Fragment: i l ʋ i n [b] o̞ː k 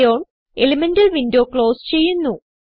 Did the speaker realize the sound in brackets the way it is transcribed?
no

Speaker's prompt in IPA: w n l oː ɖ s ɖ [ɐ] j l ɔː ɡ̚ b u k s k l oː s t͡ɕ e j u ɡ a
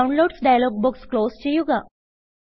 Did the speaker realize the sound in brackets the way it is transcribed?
no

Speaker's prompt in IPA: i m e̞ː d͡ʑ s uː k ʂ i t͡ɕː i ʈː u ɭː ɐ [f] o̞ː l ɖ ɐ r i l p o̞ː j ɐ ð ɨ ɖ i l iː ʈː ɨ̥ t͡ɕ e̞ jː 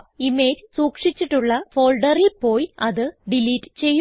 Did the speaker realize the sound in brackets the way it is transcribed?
yes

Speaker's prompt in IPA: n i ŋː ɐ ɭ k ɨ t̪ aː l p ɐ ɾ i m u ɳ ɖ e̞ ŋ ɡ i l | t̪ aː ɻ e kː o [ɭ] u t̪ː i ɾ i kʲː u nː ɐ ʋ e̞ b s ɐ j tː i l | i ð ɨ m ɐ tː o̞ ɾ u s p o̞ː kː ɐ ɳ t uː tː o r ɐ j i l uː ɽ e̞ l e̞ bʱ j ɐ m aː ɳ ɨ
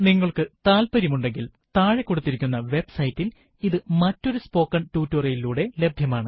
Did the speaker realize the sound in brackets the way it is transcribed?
no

